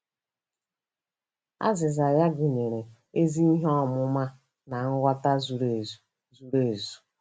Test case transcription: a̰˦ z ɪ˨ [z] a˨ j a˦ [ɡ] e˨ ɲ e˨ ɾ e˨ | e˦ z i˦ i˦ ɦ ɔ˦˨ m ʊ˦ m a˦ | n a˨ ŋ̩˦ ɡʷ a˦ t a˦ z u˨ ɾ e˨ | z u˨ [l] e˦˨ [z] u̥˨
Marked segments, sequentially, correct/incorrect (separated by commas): correct, correct, incorrect, correct